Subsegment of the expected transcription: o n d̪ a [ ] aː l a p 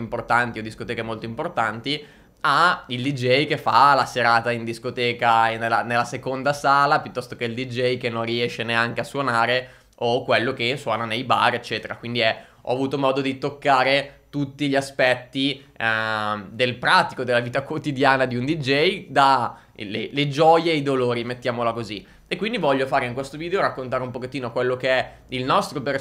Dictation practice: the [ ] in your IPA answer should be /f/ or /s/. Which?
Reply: s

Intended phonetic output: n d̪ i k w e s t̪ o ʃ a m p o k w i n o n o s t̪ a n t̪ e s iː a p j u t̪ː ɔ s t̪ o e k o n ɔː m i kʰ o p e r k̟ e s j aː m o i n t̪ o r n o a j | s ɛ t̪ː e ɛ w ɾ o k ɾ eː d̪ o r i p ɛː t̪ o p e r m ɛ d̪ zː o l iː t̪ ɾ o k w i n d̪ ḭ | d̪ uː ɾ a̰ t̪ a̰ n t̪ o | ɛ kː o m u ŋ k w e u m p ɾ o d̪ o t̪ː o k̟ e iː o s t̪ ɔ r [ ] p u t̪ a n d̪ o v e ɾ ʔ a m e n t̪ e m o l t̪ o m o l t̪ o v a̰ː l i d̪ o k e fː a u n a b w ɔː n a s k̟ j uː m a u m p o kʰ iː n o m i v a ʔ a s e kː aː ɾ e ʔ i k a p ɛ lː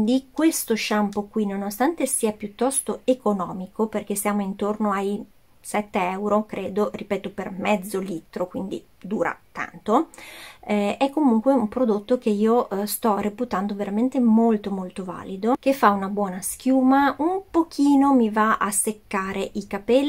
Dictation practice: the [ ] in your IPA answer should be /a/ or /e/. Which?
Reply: e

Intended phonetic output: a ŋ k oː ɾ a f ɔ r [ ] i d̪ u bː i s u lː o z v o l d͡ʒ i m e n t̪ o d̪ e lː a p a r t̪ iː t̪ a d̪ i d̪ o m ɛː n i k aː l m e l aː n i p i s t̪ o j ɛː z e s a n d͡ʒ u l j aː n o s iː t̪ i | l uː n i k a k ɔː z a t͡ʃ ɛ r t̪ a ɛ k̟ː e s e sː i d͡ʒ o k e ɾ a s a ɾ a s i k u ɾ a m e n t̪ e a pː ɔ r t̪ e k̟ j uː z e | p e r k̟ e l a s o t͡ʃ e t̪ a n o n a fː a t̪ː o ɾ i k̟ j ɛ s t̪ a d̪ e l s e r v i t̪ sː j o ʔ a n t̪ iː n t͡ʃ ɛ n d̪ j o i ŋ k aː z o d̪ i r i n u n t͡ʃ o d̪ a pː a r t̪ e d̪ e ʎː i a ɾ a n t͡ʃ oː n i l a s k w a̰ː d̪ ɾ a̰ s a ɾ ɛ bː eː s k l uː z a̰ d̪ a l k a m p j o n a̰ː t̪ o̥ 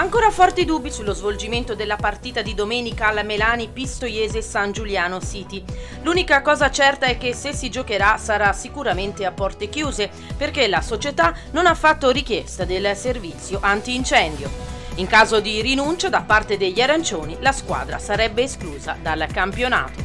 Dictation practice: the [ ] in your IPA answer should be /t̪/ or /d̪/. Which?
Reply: t̪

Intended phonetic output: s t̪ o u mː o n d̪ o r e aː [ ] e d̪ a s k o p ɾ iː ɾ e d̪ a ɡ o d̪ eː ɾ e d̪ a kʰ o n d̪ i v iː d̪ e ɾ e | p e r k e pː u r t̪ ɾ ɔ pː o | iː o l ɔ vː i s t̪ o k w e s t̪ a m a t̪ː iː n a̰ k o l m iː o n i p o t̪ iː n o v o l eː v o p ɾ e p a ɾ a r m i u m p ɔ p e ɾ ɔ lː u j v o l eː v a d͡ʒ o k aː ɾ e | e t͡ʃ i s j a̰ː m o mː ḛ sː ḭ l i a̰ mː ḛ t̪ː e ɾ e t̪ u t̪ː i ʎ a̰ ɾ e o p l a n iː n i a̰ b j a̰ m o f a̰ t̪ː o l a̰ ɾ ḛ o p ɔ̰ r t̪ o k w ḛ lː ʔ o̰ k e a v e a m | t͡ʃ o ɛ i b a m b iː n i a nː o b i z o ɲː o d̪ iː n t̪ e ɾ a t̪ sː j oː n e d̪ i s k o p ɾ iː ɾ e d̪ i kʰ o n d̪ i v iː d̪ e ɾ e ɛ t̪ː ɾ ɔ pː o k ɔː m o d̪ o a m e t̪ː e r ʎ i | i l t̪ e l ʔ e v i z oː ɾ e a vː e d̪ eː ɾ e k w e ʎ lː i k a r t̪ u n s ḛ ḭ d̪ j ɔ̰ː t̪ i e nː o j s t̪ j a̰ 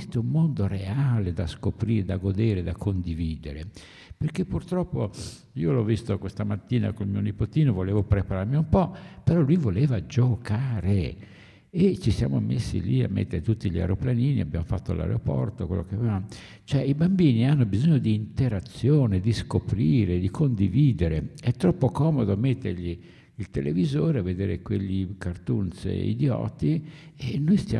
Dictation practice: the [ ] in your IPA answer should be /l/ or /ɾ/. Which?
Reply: l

